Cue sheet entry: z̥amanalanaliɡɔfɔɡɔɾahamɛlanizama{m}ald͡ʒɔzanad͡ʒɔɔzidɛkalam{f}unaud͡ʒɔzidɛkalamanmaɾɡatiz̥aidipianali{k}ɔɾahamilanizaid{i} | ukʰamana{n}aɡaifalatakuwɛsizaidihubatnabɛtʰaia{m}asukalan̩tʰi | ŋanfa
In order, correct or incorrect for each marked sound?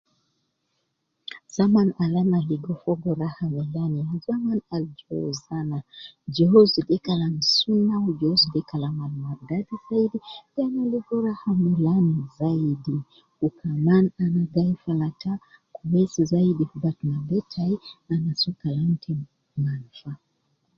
incorrect, incorrect, incorrect, correct, correct, incorrect

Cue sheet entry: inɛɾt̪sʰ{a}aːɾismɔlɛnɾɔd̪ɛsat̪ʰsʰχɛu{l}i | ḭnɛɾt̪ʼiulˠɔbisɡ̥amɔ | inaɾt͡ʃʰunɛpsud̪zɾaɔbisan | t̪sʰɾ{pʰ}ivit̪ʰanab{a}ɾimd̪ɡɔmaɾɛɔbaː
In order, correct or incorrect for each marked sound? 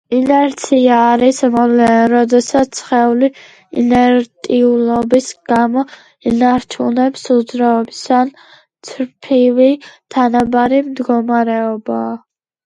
incorrect, correct, correct, correct

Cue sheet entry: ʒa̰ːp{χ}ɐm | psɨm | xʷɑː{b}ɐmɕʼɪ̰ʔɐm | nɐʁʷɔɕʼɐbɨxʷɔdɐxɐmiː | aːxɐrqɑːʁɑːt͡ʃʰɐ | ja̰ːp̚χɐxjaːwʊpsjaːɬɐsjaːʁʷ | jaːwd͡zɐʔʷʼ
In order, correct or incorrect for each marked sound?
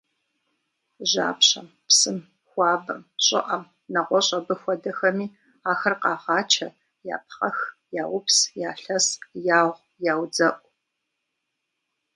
incorrect, correct

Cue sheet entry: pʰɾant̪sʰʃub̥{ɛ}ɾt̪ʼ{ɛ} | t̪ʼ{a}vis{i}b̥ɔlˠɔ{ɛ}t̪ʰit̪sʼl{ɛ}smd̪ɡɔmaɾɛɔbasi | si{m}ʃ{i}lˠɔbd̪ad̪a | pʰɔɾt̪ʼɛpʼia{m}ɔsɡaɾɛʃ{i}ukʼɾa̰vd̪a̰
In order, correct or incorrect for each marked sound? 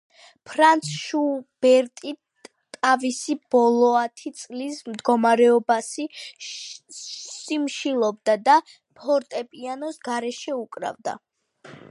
correct, incorrect, correct, correct, incorrect, incorrect, correct, correct, incorrect, incorrect

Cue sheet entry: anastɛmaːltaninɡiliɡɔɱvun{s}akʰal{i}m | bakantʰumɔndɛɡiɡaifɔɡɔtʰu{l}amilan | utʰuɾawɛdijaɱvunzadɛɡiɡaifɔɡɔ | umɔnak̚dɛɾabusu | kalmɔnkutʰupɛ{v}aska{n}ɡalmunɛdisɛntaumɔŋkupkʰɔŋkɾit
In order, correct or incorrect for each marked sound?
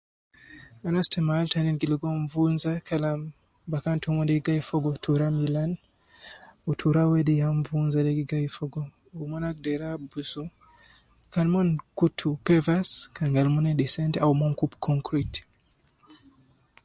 incorrect, incorrect, incorrect, correct, incorrect

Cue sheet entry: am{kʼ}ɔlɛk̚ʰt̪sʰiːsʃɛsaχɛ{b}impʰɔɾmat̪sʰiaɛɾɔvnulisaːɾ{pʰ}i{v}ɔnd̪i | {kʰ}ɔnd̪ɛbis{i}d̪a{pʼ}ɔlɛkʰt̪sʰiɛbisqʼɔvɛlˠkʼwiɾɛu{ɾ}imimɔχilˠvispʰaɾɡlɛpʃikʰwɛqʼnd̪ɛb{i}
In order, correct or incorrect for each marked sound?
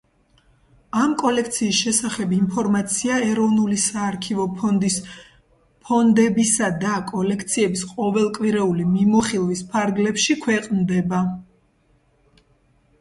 correct, correct, incorrect, correct, incorrect, incorrect, incorrect, incorrect, incorrect

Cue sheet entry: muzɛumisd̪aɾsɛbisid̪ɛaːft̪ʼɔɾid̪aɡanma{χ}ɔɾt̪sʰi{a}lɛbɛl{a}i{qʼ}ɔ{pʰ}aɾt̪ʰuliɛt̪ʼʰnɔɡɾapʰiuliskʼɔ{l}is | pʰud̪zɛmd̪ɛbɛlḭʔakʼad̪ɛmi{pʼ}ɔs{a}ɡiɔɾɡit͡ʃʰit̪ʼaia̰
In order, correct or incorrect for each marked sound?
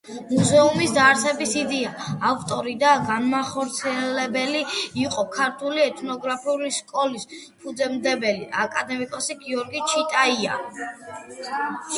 correct, incorrect, incorrect, correct, incorrect, correct, incorrect, incorrect

